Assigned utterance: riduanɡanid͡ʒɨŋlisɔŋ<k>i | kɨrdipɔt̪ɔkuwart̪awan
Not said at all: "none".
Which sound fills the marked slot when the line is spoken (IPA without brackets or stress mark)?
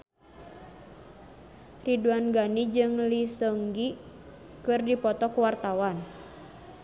ɡ